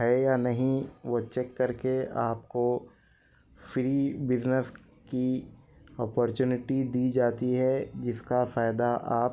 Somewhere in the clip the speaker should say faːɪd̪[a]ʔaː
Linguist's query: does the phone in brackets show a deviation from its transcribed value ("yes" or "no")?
no